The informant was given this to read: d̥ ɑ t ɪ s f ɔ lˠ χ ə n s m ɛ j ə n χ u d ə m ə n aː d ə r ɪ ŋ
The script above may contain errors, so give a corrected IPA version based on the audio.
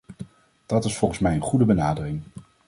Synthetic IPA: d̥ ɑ t ɪ s f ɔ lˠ χ ə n s m ɛ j ə n χ u d ə b ə n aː d ə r ɪ ŋ